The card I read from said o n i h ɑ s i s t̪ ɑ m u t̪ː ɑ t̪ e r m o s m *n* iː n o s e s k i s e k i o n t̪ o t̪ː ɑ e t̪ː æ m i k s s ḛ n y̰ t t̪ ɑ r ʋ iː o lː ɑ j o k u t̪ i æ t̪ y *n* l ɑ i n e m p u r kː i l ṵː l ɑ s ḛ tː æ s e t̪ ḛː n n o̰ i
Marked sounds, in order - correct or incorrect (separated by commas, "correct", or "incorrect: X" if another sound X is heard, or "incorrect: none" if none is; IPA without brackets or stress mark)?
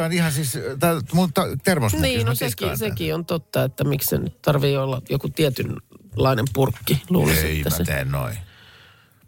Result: correct, correct